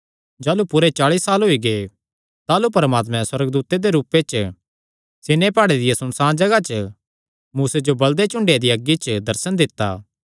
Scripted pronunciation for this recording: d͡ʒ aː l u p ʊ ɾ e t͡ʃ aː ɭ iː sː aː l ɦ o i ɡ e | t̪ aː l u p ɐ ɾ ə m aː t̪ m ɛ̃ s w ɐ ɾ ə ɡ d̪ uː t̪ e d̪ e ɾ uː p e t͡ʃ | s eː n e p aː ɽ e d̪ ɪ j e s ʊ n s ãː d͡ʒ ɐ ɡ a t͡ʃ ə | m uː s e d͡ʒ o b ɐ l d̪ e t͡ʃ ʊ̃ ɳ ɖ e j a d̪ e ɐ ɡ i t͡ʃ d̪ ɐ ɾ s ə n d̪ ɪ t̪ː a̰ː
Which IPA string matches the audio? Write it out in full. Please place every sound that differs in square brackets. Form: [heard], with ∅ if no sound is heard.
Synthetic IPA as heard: d͡ʒ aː l u p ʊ ɾ e t͡ʃ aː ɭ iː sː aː l ɦ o i ɡ e | t̪ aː l u p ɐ ɾ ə m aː t̪ m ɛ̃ s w ɐ ɾ ə ɡ d̪ uː t̪ e d̪ e ɾ uː p e t͡ʃ | s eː n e p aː ɽ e d̪ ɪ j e s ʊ n s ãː d͡ʒ ɐ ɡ a t͡ʃ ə | m uː s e d͡ʒ o b ɐ l d̪ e t͡ʃ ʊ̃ ɳ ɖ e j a d̪ [i] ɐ ɡ i t͡ʃ d̪ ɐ ɾ s ə n d̪ ɪ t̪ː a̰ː